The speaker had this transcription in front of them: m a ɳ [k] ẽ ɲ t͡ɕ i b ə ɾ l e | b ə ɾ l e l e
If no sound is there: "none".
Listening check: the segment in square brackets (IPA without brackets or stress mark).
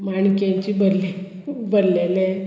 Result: k